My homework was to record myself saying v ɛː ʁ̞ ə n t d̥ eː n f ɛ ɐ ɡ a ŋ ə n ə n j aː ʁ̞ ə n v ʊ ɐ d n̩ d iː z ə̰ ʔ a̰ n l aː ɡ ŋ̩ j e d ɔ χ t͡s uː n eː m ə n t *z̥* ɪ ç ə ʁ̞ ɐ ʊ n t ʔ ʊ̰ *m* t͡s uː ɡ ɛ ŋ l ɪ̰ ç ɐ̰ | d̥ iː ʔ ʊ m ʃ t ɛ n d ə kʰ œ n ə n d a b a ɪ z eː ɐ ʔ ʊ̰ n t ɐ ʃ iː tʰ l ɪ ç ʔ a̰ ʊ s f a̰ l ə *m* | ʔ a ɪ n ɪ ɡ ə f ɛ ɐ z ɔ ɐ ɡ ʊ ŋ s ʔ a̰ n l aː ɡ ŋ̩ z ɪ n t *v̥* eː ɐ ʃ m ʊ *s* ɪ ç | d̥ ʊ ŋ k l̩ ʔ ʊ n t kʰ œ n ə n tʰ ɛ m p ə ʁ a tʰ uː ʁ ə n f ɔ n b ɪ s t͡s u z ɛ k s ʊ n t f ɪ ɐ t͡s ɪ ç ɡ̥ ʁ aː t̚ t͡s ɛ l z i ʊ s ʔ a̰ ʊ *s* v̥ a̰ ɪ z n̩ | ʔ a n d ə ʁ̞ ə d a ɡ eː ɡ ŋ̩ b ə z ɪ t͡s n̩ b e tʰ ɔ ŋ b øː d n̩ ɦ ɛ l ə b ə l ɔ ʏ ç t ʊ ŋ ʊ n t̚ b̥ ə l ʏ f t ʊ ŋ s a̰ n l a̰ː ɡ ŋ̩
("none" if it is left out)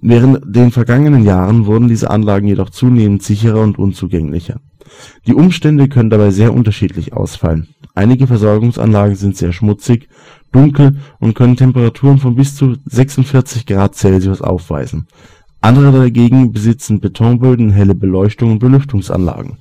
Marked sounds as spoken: z̥, n, n, z̥, t͡s, f

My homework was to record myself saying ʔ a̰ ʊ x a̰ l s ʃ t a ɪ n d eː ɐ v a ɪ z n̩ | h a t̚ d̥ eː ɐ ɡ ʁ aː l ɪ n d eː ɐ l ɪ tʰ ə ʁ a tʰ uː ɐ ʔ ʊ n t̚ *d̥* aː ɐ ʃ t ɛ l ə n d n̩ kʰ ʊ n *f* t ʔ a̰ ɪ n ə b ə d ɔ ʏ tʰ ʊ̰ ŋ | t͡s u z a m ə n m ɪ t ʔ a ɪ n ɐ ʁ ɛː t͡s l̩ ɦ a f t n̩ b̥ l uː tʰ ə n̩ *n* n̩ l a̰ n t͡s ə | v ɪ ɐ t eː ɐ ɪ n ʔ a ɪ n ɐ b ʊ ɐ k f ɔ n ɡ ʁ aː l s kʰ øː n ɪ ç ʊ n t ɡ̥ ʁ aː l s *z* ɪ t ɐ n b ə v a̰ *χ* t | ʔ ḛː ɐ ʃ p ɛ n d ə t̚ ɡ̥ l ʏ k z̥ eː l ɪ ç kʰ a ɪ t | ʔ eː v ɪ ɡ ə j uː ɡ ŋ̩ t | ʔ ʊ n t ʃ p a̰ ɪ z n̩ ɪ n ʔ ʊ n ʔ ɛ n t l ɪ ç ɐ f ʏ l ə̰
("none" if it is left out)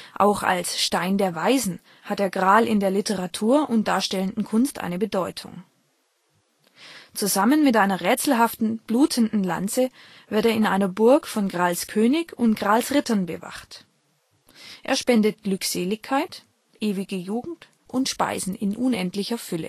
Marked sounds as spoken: d̥, s, d, ʁ, χ

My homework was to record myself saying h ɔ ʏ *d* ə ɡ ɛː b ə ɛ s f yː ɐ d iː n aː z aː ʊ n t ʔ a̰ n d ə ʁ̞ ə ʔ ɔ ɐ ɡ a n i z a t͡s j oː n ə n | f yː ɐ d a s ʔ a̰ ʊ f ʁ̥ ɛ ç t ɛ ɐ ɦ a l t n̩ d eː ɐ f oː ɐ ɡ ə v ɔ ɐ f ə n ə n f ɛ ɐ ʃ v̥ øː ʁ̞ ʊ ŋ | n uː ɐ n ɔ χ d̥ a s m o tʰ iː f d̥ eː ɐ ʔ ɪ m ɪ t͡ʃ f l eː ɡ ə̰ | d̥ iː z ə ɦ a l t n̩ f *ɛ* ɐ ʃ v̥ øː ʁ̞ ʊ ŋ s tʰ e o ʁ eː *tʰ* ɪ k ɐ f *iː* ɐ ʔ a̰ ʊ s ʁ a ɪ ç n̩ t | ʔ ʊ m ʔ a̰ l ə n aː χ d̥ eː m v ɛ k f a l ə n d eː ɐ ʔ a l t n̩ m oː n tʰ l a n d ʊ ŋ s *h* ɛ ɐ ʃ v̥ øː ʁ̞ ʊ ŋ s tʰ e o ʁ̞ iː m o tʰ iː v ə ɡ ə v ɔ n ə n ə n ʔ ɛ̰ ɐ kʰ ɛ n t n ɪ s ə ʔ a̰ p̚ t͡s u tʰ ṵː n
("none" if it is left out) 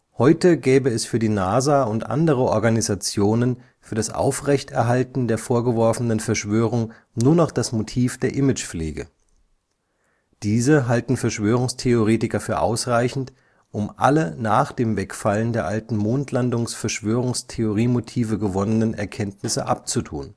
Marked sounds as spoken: t, ɛ, t, yː, f

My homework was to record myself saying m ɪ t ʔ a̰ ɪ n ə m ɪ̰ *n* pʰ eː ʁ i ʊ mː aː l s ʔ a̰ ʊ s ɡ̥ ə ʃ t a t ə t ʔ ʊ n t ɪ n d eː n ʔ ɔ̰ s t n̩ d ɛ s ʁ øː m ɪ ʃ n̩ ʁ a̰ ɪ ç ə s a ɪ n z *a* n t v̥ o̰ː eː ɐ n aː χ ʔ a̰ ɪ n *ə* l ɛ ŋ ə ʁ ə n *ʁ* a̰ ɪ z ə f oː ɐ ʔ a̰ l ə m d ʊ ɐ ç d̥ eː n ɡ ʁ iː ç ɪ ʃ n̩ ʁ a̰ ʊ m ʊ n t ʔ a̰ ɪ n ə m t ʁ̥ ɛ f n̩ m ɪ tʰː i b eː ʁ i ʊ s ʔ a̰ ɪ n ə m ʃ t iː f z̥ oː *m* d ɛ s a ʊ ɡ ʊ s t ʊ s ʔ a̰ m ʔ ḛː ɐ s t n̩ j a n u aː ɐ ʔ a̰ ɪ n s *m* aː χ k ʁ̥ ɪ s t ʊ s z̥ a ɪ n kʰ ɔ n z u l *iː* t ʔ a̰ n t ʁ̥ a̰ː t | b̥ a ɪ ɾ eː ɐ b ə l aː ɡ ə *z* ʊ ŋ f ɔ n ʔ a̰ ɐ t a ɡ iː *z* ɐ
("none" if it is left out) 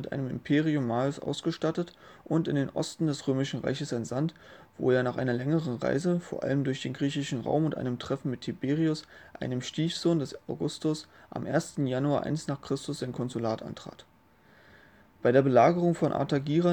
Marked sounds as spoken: m, a, ɐ, ʁ, n, n, aː, ʁ, ʁ

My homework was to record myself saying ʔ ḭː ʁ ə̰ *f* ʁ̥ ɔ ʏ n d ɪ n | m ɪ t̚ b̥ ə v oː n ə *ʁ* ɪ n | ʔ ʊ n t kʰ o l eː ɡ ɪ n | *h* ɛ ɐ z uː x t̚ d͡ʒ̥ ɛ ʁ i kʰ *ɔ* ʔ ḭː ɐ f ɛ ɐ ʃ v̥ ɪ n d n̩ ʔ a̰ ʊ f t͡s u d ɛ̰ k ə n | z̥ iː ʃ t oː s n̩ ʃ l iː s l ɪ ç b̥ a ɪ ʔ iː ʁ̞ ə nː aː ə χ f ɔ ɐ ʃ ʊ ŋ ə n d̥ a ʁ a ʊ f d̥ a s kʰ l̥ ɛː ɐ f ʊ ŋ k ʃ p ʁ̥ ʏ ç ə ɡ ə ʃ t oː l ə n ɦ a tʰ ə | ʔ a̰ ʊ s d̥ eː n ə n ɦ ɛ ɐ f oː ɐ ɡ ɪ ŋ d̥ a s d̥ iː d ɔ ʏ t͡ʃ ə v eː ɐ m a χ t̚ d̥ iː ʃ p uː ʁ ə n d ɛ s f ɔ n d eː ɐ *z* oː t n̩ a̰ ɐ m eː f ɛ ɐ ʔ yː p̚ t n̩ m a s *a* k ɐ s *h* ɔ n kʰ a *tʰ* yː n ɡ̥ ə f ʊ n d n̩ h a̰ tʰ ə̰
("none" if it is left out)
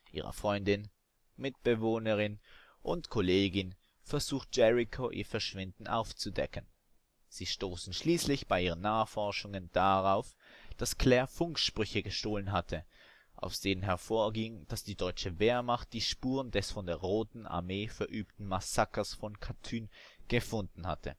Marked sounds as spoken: f, ʁ, f, o, ʁ, a, f, tʰ

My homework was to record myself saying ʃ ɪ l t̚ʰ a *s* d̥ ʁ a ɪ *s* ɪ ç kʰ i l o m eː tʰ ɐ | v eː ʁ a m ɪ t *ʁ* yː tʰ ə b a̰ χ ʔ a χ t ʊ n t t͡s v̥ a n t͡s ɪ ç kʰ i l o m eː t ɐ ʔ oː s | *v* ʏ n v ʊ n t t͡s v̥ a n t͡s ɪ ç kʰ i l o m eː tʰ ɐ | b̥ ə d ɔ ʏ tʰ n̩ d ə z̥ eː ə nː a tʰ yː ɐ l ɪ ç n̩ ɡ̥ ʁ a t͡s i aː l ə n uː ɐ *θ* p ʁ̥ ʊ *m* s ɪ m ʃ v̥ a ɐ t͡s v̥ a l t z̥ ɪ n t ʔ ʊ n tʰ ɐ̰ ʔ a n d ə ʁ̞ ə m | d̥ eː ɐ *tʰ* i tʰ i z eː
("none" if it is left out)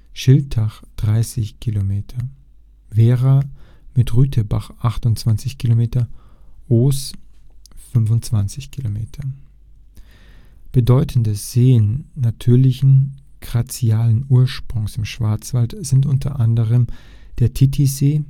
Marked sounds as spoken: χ, s, ʁ, f, ʃ, ŋ, tʰ

